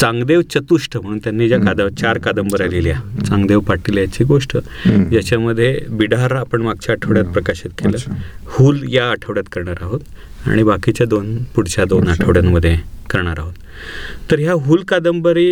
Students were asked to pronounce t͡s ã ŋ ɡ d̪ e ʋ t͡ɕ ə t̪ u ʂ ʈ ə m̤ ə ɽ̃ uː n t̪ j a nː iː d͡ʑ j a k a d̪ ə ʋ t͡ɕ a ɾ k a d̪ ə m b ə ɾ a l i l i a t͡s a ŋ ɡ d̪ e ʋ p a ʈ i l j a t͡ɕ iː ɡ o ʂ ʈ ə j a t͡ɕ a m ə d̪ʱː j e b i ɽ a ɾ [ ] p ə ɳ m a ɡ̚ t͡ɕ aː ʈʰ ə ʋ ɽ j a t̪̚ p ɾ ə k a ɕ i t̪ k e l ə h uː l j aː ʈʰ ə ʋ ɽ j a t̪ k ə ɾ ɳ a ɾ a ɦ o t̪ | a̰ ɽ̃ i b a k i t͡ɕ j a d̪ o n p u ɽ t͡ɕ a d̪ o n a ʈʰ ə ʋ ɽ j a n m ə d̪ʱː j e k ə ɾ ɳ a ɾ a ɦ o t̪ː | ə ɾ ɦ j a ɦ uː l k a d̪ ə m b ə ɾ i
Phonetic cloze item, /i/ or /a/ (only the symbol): a